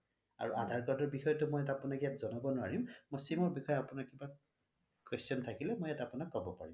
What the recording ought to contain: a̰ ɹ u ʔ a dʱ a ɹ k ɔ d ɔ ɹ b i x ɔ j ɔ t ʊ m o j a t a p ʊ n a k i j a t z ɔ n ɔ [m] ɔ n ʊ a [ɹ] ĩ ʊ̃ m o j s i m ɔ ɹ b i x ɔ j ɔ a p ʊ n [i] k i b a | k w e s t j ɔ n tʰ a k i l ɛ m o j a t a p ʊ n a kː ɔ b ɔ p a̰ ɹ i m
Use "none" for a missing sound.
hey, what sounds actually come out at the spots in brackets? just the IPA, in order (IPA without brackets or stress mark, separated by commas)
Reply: b, ɹ, a